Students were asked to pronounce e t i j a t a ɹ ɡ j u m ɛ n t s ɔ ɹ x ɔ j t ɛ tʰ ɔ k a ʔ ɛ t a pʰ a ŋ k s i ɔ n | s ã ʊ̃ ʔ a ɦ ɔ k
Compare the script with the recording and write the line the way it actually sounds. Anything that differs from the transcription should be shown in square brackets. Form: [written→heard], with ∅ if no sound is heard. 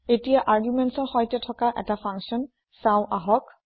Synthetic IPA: e t i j a [t→ʔ] a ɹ ɡ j u m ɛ n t s ɔ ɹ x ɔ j t ɛ tʰ ɔ k a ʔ ɛ t a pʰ a ŋ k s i ɔ n | s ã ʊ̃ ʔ a ɦ ɔ k